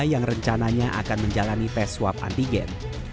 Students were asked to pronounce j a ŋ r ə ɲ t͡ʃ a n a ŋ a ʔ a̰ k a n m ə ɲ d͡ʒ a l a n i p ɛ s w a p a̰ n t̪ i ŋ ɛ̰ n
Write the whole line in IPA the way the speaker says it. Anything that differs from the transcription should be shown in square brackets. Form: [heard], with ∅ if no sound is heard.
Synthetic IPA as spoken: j a ŋ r ə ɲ t͡ʃ a n a [ɲ] a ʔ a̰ k a n m ə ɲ d͡ʒ a l a n i p ɛ s w a p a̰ n t̪ i [ɡ] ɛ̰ n